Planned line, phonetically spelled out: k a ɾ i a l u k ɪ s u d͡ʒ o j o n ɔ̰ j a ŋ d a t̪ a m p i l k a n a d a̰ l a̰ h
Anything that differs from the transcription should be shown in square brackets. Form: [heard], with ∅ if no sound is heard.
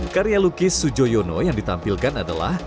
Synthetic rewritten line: k a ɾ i a l u k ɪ s u d͡ʒ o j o n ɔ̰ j a ŋ d [i] t̪ a m p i l k a n a d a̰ l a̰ h

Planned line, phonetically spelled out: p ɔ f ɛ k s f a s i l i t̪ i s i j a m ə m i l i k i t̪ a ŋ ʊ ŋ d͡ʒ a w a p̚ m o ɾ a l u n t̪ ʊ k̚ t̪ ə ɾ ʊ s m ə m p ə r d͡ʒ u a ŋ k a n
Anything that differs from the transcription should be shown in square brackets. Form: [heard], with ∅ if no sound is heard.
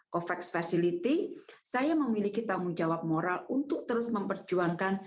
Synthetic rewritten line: [k] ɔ f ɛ k s f a s i l i t̪ i s [a] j a m ə m i l i k i t̪ a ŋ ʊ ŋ d͡ʒ a w a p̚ m o ɾ a l u n t̪ ʊ k̚ t̪ ə ɾ ʊ s m ə m p ə r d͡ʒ u a ŋ k a n

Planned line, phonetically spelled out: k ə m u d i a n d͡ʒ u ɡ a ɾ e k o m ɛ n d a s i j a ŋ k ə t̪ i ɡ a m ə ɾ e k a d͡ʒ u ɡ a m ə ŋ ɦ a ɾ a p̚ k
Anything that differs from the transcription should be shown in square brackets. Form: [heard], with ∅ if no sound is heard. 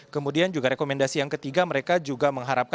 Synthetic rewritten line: k ə m u d i a n d͡ʒ u ɡ a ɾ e k o m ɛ n d a s i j a ŋ k ə t̪ i ɡ a m ə ɾ e k a d͡ʒ u ɡ a m ə ŋ ɦ a ɾ a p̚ k

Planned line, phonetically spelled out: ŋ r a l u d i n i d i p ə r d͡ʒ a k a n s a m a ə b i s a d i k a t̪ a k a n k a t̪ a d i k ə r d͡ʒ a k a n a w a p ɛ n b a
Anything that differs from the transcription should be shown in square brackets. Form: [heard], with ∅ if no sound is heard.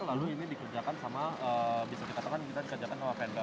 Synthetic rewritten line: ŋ [l] a l u [∅] i n i d i [k] ə r d͡ʒ a k a n s a m a ə b i s a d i k a t̪ a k a n k [i] t̪ a d i k ə r d͡ʒ a k a n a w a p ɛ n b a

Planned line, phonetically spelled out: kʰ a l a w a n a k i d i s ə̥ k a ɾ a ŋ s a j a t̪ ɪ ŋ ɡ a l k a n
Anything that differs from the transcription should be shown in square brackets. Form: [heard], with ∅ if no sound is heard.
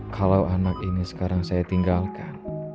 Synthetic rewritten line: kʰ a l a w a n a k i [n] i s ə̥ k a ɾ a ŋ s a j a t̪ [i] ŋ ɡ a l k a n

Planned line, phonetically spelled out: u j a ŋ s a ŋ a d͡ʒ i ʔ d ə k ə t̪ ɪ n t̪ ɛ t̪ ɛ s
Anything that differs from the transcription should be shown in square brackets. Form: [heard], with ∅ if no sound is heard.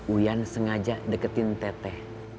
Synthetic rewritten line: u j a [n] s [ə] ŋ a d͡ʒ [a] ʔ d ə k ə t̪ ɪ n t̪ ɛ t̪ ɛ [h]

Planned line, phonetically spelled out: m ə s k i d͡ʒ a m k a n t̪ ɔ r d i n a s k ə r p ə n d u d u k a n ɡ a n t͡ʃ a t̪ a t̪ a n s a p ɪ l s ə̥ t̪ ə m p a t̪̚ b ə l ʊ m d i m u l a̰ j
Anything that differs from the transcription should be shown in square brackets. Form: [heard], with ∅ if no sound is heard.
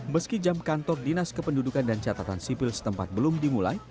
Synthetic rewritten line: m ə s k i d͡ʒ a m k a n t̪ ɔ r d i n a s k ə [∅] p ə n d u d u k a n [d] a n t͡ʃ a t̪ a t̪ a n s [i] p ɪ l s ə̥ t̪ ə m p a t̪̚ b ə l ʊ m d i m u l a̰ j

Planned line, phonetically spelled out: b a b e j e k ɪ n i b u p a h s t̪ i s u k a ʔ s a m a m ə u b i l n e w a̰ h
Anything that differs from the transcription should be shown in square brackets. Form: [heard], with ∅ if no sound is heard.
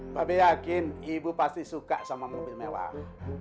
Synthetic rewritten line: b a b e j [a] k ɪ n i b u p a [∅] s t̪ i s u k a ʔ s a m a m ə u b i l [m] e w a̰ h

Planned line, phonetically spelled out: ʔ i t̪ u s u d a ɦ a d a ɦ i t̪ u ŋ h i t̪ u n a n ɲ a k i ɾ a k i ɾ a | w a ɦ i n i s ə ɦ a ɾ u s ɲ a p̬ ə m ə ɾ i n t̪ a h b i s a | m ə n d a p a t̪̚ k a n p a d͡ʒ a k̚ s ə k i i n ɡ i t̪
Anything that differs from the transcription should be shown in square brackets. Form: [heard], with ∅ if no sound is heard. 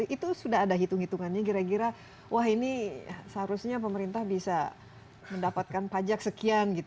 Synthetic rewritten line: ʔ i t̪ u s u d a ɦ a d a ɦ i t̪ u ŋ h i t̪ u [ŋ] a n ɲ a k i ɾ a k i ɾ a | w a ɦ i n i s ə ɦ a ɾ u s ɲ a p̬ ə m ə ɾ i n t̪ a h b i s a | m ə n d a p a t̪̚ k a n p a d͡ʒ a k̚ s ə k i [a] n ɡ i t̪

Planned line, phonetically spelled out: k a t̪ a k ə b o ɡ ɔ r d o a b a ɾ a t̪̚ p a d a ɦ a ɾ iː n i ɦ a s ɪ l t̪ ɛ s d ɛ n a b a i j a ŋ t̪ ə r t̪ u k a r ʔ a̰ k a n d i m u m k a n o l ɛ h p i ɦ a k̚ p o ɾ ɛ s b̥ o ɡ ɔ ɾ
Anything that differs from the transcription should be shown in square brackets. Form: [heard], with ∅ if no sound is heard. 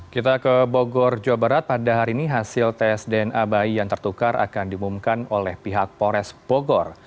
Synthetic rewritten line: k [i] t̪ a k ə b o ɡ ɔ r [d͡ʒ] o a b a ɾ a t̪̚ p a d a ɦ a ɾ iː n i ɦ a s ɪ l t̪ ɛ s d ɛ n a b a i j a ŋ t̪ ə r t̪ u k a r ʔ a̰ k a n d i m u m k a n o l ɛ h p i ɦ a k̚ p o ɾ ɛ s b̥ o ɡ ɔ [r]

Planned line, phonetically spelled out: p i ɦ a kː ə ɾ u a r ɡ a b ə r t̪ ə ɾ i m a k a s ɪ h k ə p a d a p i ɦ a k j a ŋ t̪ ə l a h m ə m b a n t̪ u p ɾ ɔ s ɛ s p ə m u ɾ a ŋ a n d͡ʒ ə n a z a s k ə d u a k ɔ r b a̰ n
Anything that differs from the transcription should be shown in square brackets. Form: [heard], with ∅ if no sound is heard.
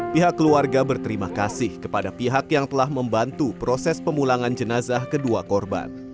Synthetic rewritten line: p i ɦ a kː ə [l] u a r ɡ a b ə r t̪ ə ɾ i m a k a s ɪ h k ə p a d a p i ɦ a k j a ŋ t̪ ə l a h m ə m b a n t̪ u p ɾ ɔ s ɛ s p ə m u [l] a ŋ a n d͡ʒ ə n a z a [h] k ə d u a k ɔ r b a̰ n

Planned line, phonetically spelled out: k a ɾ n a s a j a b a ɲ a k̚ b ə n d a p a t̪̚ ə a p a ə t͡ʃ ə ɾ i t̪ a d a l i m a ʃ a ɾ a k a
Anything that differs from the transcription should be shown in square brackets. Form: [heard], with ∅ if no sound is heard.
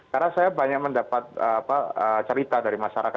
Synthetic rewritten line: k a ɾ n a s a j a b a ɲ a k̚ [m] ə n d a p a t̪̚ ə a p a ə t͡ʃ ə ɾ i t̪ a d a [ɾ] i m a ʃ a ɾ a k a

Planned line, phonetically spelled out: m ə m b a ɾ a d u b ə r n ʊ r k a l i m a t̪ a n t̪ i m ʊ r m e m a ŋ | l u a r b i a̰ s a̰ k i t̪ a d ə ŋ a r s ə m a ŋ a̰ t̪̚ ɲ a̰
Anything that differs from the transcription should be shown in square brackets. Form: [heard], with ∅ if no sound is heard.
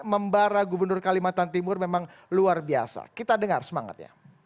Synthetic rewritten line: m ə m b a ɾ a [ɡ] u b ə r n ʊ r k a l i m a t̪ a n t̪ i m ʊ r m e m a ŋ | l u a r b i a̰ s a̰ k i t̪ a d ə ŋ a r s ə m a ŋ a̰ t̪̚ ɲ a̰

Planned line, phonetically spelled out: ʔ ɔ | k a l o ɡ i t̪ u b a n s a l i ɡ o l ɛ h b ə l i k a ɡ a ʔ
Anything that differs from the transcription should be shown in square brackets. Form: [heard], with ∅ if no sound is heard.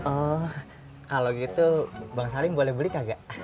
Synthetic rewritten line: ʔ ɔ | k a l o ɡ i t̪ u b a [ŋ] s a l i [b] o l ɛ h b ə l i k a ɡ a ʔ

